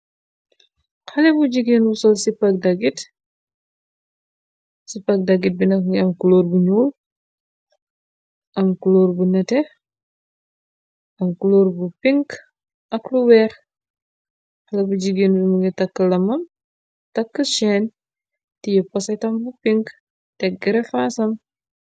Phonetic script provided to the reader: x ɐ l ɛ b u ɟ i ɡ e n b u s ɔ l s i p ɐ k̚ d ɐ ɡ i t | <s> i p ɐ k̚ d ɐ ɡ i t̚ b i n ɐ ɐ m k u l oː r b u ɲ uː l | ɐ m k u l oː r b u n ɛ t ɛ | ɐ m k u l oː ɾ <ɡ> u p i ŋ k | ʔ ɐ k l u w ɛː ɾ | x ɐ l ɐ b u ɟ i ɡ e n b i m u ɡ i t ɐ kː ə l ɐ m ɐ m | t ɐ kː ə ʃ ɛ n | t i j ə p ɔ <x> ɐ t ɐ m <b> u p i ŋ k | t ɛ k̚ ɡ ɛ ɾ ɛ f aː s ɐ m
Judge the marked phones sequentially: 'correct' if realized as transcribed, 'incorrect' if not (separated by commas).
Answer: correct, incorrect, incorrect, correct